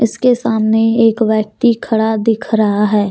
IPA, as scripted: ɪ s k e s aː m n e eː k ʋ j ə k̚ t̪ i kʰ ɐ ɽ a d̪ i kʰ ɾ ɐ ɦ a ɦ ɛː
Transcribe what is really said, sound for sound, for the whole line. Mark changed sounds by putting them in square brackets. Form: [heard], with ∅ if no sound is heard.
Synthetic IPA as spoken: ɪ s k e s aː m n e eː k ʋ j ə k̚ t̪ i kʰ ɐ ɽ a d̪ [ɪ] kʰ ɾ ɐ ɦ a ɦ ɛː